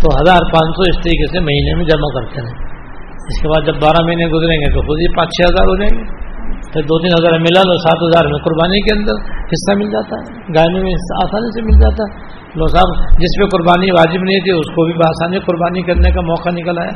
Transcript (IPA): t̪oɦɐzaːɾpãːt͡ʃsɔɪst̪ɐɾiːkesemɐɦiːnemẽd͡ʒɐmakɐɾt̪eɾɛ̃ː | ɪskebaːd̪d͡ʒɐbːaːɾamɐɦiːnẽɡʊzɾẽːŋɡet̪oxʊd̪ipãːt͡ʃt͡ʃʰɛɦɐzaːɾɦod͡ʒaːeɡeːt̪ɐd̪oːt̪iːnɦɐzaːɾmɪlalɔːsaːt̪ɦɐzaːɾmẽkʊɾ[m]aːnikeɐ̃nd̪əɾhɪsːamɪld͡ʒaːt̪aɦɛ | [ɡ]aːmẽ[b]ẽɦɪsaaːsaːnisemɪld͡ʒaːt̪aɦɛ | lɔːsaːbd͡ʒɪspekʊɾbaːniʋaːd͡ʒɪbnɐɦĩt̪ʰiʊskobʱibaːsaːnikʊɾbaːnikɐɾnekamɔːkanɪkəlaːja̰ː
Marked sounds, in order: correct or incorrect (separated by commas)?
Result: incorrect, correct, incorrect